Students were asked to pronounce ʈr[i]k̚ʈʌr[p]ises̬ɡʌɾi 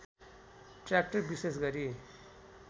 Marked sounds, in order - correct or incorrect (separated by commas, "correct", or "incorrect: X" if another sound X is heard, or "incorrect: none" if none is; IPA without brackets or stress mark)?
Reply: incorrect: a, incorrect: b